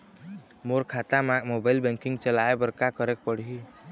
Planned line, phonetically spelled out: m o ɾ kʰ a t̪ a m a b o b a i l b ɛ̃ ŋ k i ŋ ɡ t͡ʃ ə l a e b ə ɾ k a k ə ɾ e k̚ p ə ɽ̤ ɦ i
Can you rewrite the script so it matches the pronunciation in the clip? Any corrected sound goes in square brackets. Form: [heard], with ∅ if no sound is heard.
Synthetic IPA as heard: m o ɾ kʰ a t̪ a m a [m] o b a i l b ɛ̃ ŋ k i ŋ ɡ t͡ʃ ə l a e b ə ɾ k a k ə ɾ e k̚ p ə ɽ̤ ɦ i

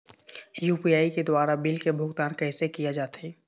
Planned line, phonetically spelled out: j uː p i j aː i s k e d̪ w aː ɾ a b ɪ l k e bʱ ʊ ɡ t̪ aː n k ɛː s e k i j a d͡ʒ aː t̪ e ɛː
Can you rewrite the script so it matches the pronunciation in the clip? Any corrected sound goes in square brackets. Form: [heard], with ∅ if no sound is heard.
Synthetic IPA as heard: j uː p i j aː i [∅] k e d̪ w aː ɾ a b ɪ l k e bʱ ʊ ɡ t̪ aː n k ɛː s e k i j a d͡ʒ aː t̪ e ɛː

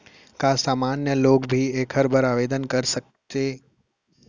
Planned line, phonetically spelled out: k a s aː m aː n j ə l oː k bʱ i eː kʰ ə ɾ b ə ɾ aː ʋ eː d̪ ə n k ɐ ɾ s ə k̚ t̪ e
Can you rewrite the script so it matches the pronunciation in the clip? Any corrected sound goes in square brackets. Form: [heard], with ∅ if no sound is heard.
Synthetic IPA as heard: k a s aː m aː n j ə l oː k bʱ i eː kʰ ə ɾ b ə ɾ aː ʋ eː d̪ ə n k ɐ ɾ s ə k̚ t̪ e

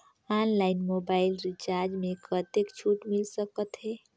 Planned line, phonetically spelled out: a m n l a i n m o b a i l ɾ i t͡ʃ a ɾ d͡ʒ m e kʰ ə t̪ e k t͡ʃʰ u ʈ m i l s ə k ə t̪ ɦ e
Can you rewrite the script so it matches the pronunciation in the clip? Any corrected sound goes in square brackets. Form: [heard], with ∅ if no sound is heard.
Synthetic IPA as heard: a [∅] n l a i n m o b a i l ɾ i t͡ʃ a ɾ d͡ʒ m e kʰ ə t̪ e k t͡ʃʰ u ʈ m i l s ə k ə t̪ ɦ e

